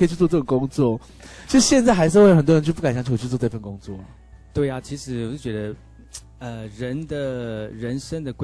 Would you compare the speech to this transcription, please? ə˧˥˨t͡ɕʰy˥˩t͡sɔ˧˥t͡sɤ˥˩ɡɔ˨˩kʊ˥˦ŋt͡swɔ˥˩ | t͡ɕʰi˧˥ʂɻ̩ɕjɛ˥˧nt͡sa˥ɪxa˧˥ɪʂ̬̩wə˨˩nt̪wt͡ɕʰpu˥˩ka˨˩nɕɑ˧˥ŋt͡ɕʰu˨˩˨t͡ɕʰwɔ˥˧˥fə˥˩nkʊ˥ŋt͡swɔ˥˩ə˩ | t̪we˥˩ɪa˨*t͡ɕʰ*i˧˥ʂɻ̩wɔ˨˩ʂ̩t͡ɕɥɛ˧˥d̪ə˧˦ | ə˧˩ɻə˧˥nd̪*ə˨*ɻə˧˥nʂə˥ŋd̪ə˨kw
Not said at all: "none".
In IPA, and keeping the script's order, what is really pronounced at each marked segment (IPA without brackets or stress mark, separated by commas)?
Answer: t͡ɕʰ, ə˨